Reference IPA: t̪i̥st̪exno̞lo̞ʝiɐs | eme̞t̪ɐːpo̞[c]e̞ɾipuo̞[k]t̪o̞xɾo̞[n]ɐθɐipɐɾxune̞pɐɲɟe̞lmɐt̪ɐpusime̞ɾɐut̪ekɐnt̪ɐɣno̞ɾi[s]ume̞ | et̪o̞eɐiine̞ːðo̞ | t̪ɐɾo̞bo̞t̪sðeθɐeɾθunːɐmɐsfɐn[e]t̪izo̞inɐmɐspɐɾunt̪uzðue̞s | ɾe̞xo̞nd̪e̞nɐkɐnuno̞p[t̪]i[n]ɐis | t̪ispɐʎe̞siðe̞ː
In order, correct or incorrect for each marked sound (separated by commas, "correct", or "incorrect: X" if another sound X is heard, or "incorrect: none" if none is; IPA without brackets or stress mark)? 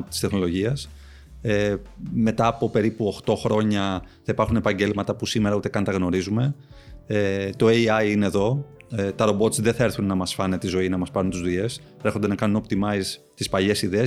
incorrect: p, incorrect: x, incorrect: ɲ, incorrect: z, correct, correct, incorrect: m